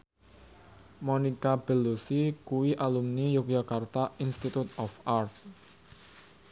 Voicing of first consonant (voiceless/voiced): voiced